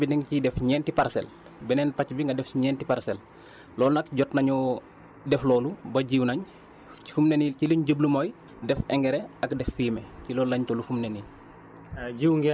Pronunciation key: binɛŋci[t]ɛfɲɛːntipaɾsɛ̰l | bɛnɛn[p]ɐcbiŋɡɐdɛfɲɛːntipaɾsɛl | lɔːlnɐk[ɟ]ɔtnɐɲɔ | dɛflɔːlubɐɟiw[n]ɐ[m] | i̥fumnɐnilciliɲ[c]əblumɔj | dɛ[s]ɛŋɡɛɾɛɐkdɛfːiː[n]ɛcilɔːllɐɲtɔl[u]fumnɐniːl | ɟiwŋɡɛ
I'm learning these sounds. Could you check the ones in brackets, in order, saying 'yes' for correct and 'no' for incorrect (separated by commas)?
no, yes, yes, yes, no, no, no, no, yes